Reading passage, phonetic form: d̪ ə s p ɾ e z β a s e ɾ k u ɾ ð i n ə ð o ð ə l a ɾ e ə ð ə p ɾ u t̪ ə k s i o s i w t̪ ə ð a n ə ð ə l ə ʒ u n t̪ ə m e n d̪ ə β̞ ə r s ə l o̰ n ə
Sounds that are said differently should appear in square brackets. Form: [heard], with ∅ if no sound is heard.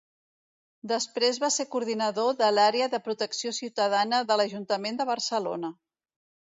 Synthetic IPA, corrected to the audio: d̪ ə s p ɾ e z β a s e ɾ k u ɾ ð i n ə ð o ð ə l a ɾ e ə ð ə p ɾ u t̪ ə k s i o s i w t̪ ə ð a n ə ð ə l ə ʒ u n t̪ ə m e n d̪ ə β̞ ə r s ə l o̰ n ə